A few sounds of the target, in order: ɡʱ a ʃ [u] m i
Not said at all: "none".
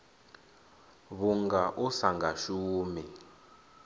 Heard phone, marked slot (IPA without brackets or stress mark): uː